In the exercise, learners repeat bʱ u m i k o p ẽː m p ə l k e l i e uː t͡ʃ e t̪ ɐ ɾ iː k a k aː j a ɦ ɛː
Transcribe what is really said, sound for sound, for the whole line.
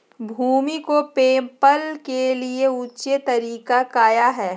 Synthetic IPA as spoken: bʱ uː m i k o p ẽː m p ə l k e l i e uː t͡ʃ e t̪ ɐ ɾ iː k a k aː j a ɦ ɛː